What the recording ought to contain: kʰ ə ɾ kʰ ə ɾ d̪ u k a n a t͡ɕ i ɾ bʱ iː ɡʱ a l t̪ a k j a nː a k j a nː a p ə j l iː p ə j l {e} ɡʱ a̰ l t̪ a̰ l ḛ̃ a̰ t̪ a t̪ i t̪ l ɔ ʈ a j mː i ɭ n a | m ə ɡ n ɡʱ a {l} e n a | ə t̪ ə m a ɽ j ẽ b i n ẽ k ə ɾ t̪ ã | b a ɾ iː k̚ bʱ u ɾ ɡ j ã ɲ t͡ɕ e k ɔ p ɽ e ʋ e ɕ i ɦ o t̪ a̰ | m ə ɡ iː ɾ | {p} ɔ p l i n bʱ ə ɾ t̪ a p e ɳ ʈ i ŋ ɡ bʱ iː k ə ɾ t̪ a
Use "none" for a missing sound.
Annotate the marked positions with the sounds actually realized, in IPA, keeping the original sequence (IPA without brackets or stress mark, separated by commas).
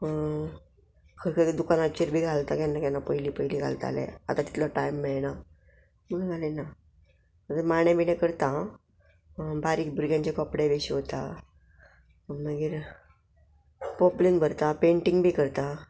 i, l, p